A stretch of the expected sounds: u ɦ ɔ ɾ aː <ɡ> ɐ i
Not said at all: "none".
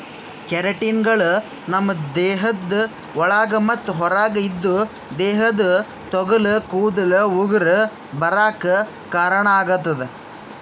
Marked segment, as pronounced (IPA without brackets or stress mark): ɡ